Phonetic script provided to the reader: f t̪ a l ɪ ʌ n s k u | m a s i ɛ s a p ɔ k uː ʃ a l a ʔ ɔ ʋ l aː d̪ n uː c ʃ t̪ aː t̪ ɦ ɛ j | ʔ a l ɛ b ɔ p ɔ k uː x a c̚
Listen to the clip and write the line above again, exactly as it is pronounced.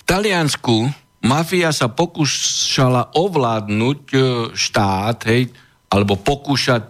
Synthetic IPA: f t̪ a l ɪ a n s k u | m a f i a s a p ɔ k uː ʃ a l a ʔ ɔ ʋ l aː d̪ n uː c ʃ t̪ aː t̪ ɦ ɛ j | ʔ a l ɛ b ɔ p ɔ k uː ʃ a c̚